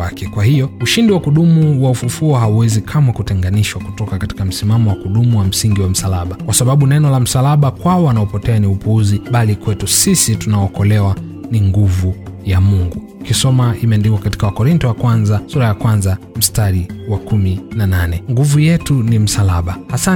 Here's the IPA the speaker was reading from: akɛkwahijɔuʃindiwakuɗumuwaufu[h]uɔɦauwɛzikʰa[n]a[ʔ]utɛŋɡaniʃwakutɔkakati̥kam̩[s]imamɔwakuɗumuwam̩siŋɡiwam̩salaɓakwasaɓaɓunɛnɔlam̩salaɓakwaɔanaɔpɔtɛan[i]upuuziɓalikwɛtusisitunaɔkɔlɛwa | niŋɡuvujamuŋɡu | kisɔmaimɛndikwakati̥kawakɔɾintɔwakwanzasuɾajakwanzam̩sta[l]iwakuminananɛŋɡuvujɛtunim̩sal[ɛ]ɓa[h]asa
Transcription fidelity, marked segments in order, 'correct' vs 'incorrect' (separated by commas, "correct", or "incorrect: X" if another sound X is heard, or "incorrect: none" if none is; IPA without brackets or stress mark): incorrect: f, incorrect: m, incorrect: k, correct, correct, incorrect: ɾ, incorrect: a, correct